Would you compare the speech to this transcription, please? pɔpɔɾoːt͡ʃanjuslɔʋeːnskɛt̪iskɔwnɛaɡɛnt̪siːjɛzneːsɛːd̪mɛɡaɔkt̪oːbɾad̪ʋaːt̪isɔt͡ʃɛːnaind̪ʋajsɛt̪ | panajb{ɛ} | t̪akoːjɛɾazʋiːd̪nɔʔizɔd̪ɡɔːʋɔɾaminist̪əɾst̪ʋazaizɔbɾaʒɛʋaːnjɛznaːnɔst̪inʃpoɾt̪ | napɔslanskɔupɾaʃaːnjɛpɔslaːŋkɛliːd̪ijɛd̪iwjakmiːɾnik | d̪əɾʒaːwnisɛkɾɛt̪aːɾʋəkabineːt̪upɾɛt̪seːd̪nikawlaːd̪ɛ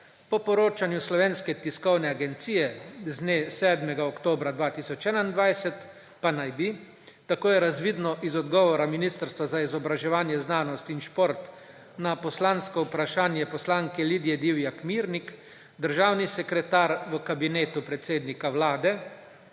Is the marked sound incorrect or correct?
incorrect